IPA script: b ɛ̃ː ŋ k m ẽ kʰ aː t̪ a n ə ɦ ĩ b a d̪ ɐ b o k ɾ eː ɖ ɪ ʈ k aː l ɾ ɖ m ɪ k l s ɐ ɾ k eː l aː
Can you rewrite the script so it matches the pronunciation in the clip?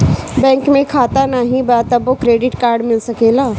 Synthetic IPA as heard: b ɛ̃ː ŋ k m ẽ kʰ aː t̪ a n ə ɦ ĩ b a t̪ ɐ b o k ɾ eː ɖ ɪ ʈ k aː ɾ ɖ m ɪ l s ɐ k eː l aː